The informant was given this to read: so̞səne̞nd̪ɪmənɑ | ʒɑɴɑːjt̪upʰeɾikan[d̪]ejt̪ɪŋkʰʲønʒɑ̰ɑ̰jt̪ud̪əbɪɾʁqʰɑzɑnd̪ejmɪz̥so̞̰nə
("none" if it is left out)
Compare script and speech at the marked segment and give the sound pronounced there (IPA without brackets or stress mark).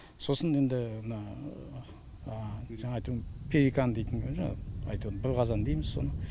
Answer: d̪